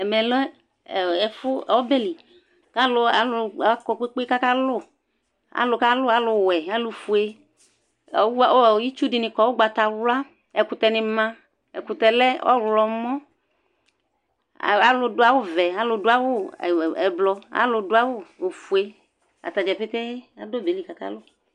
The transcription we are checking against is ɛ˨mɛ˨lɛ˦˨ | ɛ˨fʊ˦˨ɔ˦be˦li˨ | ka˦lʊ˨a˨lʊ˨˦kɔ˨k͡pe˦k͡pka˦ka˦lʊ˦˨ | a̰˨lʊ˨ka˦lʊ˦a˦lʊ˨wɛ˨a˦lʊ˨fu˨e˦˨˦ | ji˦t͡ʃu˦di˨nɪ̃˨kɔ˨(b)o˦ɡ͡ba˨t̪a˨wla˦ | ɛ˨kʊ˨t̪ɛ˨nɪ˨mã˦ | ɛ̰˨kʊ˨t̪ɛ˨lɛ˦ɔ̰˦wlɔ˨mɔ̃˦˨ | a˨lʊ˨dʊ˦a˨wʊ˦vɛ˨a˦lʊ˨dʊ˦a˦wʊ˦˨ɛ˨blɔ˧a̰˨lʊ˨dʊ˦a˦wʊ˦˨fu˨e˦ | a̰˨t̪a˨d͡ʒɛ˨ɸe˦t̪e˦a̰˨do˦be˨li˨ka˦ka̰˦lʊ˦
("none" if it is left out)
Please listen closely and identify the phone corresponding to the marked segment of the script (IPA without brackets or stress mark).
w